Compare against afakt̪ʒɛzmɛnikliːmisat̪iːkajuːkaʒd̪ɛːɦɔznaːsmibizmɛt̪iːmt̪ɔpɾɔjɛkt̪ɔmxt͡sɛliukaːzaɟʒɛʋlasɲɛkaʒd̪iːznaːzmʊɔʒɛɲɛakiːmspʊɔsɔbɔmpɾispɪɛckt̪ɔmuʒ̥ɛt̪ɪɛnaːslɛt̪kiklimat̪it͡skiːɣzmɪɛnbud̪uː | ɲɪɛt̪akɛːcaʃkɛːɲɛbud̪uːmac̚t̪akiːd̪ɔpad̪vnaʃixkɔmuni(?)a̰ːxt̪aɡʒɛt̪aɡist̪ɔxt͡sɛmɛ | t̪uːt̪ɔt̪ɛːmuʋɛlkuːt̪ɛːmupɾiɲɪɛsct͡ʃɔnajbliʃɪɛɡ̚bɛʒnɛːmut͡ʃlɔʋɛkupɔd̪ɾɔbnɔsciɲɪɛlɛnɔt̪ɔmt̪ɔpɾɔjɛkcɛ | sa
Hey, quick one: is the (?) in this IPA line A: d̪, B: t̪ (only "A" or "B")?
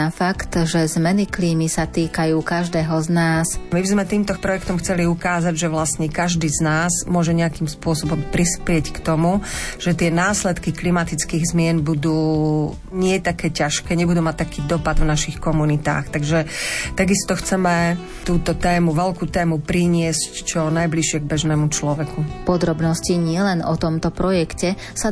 B